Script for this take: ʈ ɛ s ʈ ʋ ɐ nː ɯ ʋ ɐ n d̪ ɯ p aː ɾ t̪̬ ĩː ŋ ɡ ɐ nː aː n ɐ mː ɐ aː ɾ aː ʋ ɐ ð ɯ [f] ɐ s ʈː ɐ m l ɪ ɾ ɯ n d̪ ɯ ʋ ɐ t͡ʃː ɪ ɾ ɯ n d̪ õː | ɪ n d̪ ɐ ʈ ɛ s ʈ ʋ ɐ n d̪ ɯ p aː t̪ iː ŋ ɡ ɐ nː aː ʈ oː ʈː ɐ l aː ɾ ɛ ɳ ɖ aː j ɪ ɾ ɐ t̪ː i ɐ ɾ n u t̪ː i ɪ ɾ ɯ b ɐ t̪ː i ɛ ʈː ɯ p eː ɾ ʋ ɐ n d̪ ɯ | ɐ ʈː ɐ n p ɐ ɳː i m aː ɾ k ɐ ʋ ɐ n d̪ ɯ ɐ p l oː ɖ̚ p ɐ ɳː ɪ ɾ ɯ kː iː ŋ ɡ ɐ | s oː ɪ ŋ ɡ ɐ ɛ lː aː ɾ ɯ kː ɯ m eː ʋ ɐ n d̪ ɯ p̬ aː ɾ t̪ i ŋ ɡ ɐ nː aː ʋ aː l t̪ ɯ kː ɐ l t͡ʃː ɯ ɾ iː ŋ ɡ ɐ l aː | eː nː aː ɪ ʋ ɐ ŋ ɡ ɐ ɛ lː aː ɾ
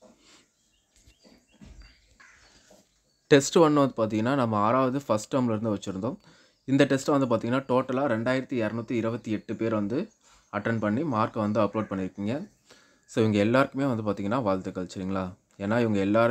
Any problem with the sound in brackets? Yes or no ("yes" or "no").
no